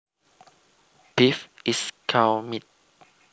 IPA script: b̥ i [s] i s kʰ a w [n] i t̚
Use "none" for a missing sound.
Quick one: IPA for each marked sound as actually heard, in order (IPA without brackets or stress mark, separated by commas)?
f, m